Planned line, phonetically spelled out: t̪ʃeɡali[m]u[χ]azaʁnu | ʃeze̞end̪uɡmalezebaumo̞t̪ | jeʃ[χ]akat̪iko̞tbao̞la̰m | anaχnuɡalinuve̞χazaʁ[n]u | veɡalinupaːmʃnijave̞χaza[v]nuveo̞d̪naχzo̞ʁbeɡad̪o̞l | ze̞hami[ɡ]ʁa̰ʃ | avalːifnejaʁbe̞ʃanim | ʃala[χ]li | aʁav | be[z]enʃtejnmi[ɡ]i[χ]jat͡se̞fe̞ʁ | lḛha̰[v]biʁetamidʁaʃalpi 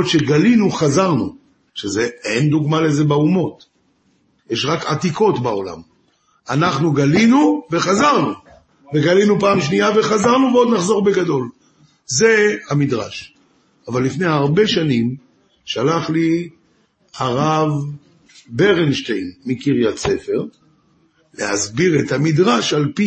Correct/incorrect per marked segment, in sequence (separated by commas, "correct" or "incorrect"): incorrect, correct, incorrect, correct, incorrect, incorrect, correct, incorrect, incorrect, incorrect, incorrect